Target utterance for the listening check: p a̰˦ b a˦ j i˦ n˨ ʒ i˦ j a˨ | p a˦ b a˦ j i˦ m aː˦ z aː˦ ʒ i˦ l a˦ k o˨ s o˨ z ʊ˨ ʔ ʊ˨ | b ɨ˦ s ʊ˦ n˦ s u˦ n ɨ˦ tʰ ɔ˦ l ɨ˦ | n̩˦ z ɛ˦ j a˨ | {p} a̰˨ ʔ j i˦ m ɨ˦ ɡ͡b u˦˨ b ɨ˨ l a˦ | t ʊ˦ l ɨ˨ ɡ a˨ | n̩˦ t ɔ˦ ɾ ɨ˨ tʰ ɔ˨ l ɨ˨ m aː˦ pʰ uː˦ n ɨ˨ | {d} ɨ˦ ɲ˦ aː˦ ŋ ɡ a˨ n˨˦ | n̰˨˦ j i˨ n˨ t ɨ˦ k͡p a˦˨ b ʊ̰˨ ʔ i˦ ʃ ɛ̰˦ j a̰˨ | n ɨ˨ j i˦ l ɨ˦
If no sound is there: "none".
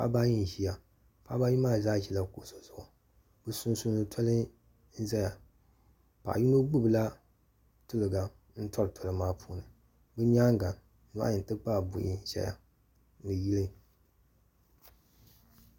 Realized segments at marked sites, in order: p, b

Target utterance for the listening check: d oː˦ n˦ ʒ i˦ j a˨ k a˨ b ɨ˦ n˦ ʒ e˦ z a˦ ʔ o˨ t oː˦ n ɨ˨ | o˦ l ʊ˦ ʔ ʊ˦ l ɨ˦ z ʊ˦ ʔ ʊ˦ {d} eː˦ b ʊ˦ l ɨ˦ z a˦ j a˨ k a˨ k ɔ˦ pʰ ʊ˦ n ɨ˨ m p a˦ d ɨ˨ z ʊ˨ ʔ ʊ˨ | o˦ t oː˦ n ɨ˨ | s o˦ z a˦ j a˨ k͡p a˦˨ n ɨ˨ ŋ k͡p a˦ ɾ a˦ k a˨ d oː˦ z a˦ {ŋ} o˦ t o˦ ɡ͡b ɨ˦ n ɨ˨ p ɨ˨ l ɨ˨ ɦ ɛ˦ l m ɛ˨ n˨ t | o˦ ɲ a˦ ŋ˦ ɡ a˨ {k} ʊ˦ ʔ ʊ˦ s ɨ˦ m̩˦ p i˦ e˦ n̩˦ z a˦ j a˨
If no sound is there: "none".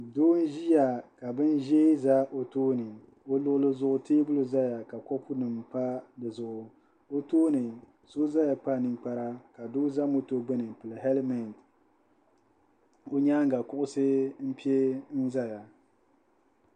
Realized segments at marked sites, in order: t, m, k

